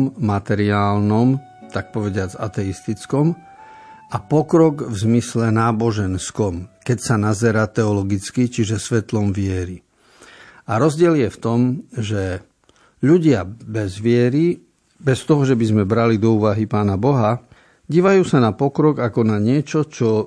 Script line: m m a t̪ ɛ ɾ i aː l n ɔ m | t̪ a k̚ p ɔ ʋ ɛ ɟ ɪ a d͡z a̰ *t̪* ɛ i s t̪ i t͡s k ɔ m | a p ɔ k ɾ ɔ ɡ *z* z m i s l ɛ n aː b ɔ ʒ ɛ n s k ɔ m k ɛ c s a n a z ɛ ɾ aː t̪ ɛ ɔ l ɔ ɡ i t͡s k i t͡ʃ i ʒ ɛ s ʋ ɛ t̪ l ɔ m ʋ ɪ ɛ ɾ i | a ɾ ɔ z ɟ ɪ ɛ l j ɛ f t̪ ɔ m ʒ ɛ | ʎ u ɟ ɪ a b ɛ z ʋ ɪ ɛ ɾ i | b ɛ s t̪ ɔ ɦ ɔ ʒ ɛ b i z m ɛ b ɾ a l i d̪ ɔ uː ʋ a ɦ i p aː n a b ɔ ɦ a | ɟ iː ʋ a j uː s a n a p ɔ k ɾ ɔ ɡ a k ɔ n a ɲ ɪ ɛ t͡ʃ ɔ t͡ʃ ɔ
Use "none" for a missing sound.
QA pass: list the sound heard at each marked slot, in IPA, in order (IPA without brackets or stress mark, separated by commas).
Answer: t̪, v